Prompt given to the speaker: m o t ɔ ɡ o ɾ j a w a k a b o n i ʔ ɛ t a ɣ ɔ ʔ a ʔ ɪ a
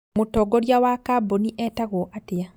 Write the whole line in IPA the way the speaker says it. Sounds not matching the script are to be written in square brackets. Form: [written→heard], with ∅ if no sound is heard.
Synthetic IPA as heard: m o t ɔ ɡ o ɾ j a w a k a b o n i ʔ ɛ t a ɣ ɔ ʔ a [ʔ→t] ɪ a